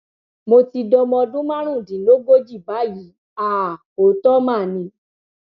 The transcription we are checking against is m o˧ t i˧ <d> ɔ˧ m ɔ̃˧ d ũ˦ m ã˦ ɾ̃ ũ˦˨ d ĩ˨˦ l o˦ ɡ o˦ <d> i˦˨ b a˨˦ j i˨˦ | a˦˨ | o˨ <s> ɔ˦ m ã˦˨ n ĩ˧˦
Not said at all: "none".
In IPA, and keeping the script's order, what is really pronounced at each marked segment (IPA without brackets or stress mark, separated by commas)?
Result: d, d͡ʒ, t